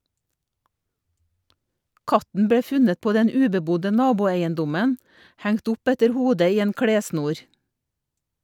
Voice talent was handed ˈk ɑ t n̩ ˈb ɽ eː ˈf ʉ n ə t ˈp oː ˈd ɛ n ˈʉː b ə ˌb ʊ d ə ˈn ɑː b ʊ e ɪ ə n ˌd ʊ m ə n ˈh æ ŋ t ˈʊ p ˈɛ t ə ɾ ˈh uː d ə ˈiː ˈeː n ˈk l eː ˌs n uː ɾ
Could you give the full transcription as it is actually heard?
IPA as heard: ˈk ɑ t n̩ ˈb ɽ eː ˈf ʉ n ə t ˈp oː ˈd ɛ n ˈʉː b ə ˌb ʊ d ə ˈn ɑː b ʊ e ɪ ə n ˌd ʊ m ə n ˈh æ ŋ t ˈʊ p ˈɛ t ə ɾ ˈh uː d ə ˈiː ˈeː n ˈk ɽ eː ˌs n uː ɾ